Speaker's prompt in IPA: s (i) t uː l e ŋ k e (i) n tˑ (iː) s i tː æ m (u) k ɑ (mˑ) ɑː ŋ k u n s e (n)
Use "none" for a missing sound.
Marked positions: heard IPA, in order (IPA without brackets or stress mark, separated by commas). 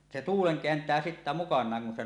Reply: e, æ, æː, u, nˑ, none